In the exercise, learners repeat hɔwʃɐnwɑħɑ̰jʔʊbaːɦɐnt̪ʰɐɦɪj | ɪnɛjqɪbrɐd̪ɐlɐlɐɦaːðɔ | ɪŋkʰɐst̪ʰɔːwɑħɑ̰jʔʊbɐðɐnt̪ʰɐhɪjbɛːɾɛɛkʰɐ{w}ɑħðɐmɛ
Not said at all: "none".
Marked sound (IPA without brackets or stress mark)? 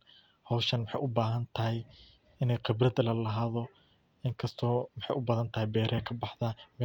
b